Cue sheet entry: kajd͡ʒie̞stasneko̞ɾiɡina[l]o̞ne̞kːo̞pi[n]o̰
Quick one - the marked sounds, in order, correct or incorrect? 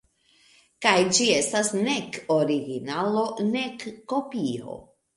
correct, incorrect

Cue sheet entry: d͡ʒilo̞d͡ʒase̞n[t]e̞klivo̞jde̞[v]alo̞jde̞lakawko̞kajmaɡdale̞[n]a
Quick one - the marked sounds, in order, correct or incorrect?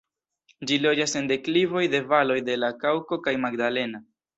incorrect, correct, correct

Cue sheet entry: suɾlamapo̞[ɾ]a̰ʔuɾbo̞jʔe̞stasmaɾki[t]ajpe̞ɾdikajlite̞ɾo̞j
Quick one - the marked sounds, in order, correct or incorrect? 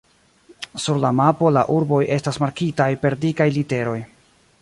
incorrect, correct

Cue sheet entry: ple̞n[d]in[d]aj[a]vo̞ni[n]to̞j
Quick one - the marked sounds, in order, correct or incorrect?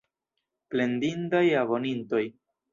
correct, correct, correct, correct

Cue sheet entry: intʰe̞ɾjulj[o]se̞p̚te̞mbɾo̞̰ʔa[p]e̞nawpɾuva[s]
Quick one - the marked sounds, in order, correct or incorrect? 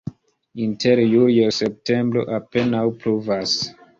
correct, correct, correct

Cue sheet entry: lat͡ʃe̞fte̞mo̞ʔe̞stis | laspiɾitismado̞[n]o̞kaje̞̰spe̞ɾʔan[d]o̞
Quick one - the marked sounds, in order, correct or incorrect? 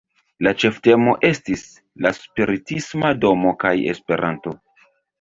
incorrect, incorrect

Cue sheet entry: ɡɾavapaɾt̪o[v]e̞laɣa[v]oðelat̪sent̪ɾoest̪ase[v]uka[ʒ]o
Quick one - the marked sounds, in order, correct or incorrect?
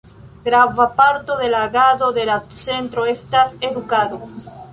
incorrect, incorrect, incorrect, incorrect

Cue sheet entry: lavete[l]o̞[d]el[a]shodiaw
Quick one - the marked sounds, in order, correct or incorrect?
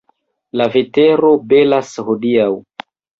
incorrect, incorrect, correct

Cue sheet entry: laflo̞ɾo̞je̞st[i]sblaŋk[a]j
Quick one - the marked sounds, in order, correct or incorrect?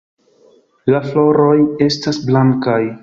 incorrect, correct

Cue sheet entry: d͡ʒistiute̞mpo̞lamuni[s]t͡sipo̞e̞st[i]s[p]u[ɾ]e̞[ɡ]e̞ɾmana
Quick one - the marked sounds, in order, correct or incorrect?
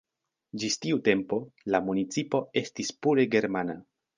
incorrect, correct, correct, correct, correct

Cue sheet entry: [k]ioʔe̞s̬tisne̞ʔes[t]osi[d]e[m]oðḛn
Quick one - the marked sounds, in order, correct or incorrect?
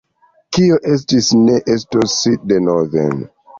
correct, correct, correct, incorrect

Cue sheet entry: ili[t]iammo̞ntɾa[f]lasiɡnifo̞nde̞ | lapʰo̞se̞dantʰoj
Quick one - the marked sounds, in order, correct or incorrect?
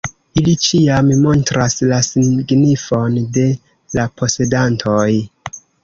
incorrect, incorrect

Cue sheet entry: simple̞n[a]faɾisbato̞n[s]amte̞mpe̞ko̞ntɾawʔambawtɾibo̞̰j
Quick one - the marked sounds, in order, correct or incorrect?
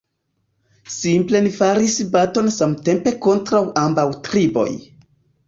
incorrect, correct

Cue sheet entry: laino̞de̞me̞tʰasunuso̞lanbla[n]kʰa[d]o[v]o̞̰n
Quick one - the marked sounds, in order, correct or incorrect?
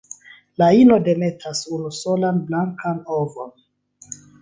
incorrect, incorrect, correct

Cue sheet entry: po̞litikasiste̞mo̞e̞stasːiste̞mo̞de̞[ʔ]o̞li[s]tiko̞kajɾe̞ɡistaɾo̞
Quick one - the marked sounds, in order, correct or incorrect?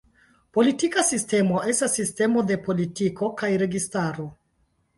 incorrect, incorrect

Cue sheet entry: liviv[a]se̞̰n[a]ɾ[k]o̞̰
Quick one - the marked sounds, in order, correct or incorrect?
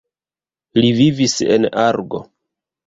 incorrect, correct, incorrect

